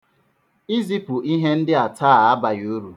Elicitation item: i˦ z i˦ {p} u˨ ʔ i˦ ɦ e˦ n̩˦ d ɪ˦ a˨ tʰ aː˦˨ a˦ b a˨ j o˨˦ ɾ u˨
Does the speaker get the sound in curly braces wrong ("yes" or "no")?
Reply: no